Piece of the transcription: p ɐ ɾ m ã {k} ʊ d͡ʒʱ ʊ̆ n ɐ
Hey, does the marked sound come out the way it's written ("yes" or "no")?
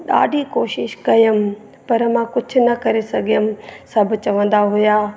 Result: yes